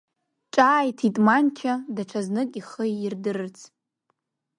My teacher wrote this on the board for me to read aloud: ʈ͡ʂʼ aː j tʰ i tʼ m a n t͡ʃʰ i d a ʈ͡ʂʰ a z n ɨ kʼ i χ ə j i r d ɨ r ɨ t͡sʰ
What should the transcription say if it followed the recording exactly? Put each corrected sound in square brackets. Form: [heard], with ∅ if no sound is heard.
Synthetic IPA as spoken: ʈ͡ʂʼ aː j tʰ i tʼ m a n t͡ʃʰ [a] d a ʈ͡ʂʰ a z n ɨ kʼ i χ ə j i r d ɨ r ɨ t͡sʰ